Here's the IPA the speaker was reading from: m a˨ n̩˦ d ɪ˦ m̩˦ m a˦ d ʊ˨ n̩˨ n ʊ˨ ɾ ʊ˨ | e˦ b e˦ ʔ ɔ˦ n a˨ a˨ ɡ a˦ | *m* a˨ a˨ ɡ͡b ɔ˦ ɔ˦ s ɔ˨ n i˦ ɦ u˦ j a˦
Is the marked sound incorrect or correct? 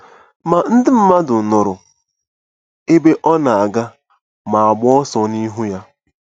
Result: correct